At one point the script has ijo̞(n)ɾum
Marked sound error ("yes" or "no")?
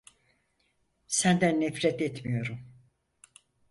yes